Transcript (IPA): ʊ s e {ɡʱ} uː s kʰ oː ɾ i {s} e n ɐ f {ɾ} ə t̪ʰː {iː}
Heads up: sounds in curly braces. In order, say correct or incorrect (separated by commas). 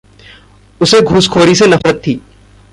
correct, correct, correct, correct